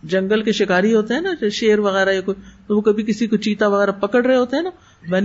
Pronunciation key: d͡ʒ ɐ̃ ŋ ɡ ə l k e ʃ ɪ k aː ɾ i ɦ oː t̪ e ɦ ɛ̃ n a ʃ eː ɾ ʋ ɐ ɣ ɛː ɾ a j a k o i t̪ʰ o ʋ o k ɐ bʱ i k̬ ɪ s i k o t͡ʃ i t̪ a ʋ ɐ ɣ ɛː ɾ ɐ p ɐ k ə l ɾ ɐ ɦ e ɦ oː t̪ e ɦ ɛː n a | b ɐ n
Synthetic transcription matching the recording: d͡ʒ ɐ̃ ŋ ɡ ə l k e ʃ ɪ k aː ɾ i ɦ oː t̪ e ɦ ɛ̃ n a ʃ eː ɾ ʋ ɐ ɣ ɛː ɾ a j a k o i t̪ o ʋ o k ɐ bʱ i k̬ ɪ s i k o t͡ʃ iː t̪ a ʋ ɐ ɣ ɛː ɾ a p ɐ k ə ɽ ɾ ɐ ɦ e ɦ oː t̪ e ɦ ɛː n a | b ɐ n